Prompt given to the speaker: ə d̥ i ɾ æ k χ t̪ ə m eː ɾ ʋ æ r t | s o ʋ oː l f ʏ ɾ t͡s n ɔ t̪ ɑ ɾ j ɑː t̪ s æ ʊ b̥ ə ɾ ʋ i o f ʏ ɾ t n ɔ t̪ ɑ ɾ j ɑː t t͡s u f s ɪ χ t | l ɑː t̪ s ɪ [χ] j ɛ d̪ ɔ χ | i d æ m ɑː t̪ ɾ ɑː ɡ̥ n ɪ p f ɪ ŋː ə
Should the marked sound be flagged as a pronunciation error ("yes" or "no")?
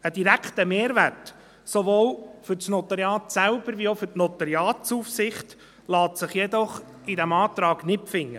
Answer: no